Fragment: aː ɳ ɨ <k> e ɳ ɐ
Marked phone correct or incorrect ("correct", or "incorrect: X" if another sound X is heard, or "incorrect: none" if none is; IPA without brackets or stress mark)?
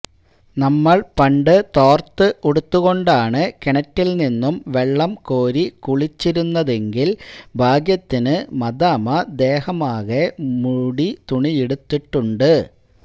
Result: correct